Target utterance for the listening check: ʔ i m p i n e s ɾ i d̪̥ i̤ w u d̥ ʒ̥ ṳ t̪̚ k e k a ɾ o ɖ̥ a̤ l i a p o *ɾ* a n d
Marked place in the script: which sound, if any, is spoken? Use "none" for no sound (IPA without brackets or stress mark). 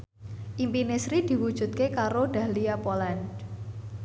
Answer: l